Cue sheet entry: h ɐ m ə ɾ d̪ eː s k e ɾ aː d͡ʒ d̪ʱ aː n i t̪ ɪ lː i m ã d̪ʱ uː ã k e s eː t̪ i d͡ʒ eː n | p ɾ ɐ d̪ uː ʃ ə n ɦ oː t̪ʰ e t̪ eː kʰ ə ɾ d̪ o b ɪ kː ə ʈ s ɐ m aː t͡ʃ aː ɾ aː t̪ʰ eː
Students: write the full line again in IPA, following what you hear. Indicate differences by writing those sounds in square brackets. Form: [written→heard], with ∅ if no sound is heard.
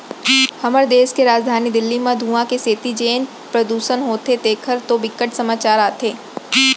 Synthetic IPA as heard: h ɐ m ə ɾ d̪ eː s k e ɾ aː d͡ʒ d̪ʱ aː n i [t̪→d̪] ɪ lː i m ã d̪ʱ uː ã k e s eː t̪ i d͡ʒ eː n | p ɾ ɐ d̪ uː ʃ ə n ɦ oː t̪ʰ e t̪ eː kʰ ə ɾ [d̪→t̪] o b ɪ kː ə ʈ s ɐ m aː t͡ʃ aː ɾ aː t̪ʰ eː